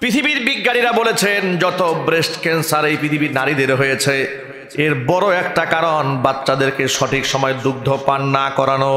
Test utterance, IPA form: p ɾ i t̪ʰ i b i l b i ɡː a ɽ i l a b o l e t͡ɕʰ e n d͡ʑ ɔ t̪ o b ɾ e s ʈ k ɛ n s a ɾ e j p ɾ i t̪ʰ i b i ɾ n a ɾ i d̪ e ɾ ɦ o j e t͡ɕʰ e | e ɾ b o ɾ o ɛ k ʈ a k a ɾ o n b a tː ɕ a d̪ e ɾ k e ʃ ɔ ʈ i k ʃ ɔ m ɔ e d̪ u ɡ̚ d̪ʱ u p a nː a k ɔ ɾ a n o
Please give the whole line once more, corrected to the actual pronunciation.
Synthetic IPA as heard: p ɾ i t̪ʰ i b i ɾ b i ɡː a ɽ i ɾ a b o l e t͡ɕʰ e n d͡ʑ ɔ t̪ o b ɾ e s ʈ k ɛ n s a ɾ e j p ɾ i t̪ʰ i b i ɾ n a ɾ i d̪ e ɾ ɦ o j e t͡ɕʰ e | e ɾ b ɔ ɾ o ɛ k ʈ a k a ɾ o n b a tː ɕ a d̪ e ɾ k e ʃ ɔ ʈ i k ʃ ɔ m ɔ e d̪ u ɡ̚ d̪ʱ o p a nː a k ɔ ɾ a n o